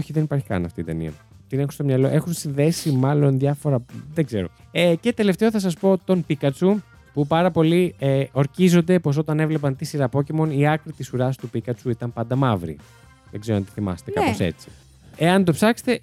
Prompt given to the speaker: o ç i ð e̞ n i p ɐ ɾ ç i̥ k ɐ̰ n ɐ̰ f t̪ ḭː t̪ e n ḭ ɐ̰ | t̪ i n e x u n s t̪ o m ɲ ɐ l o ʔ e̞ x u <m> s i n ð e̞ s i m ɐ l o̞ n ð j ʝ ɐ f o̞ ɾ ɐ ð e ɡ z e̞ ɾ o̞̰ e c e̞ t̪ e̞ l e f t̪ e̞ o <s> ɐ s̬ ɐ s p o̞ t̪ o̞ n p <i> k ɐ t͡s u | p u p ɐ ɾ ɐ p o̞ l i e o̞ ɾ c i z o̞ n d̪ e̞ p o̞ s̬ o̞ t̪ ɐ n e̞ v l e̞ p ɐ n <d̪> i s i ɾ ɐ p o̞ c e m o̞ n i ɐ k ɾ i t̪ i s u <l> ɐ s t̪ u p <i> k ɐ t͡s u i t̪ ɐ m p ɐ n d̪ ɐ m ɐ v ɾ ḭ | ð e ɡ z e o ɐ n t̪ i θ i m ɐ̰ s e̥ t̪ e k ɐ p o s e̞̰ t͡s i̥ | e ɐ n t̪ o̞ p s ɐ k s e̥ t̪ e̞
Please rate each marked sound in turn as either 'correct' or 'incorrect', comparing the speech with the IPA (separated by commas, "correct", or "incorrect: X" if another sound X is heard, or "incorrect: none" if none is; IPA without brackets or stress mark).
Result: incorrect: n, incorrect: θ, correct, incorrect: t̪, incorrect: ɾ, correct